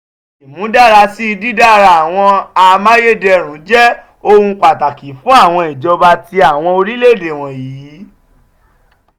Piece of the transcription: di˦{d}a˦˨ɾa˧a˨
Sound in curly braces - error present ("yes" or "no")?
no